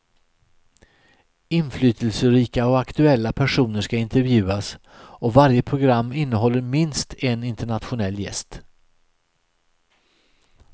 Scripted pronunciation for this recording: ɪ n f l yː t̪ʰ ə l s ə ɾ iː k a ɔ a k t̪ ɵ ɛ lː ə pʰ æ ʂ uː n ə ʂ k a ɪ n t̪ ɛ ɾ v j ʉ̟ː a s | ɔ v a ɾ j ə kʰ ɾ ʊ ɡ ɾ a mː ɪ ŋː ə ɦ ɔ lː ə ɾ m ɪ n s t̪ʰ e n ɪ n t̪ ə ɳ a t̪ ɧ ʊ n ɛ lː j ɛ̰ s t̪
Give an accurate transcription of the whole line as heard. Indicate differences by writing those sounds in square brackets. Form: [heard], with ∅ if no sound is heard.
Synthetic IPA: ɪ n f l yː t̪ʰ ə l s ə ɾ iː k a ɔ a k t̪ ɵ ɛ lː [a] pʰ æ ʂ uː n ə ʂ k a ɪ n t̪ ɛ ɾ v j ʉ̟ː a s | ɔ v a ɾ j ə [pʰ] ɾ ʊ ɡ ɾ a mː ɪ [nː] ə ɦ ɔ lː ə ɾ m ɪ n s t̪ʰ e n ɪ n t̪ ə ɳ a t̪ ɧ ʊ n ɛ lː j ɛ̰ s t̪